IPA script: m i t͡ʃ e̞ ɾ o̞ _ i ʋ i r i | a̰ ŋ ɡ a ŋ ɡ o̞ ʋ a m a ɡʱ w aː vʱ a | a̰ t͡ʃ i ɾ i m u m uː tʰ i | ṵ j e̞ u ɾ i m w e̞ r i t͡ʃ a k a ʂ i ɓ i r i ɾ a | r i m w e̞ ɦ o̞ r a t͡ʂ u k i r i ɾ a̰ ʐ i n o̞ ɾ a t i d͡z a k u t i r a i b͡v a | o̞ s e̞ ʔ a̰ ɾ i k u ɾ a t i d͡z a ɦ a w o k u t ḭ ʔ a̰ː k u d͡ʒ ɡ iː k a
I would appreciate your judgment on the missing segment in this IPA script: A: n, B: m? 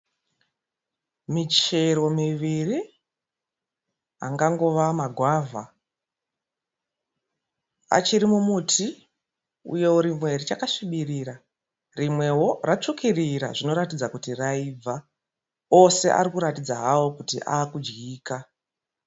B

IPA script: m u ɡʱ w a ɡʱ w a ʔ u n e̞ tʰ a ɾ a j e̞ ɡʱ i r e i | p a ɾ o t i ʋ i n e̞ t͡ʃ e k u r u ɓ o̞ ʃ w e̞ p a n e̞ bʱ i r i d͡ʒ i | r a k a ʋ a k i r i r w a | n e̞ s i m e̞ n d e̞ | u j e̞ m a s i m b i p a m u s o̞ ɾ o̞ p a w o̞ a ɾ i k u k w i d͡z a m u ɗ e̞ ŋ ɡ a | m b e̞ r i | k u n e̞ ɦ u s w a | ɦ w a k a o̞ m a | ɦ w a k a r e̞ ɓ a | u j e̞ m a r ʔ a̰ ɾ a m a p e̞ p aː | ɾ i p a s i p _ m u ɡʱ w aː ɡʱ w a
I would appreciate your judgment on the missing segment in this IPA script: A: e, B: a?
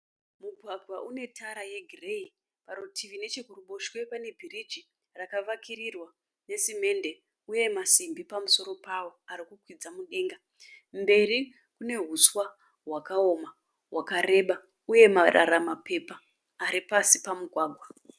B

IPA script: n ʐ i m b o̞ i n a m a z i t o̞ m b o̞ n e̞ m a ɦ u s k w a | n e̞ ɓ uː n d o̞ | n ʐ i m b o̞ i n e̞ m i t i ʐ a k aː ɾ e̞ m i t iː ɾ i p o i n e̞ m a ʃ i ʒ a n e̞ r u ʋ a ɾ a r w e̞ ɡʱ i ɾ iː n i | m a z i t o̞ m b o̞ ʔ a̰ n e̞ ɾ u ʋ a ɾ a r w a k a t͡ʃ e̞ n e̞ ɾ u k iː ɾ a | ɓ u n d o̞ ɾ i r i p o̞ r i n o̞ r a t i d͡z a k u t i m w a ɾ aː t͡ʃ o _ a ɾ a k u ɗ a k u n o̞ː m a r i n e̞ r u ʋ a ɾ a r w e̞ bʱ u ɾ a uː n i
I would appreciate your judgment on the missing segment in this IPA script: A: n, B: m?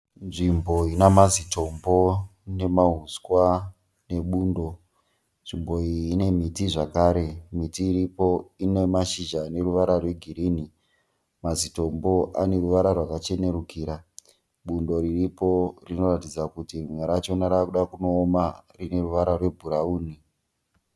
A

